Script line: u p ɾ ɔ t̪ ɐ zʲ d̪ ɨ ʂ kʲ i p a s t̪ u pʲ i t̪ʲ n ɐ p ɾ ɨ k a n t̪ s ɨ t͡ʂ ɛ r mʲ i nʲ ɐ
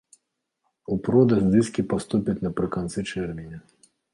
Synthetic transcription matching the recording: u p ɾ ɔ d̪ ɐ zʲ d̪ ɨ s kʲ i p a s t̪ u pʲ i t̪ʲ n ɐ p ɾ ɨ k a n t̪ s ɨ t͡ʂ ɛ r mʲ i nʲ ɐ